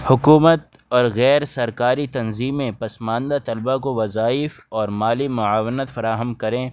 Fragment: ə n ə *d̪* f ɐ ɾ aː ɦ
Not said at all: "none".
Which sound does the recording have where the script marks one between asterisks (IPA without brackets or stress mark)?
t̪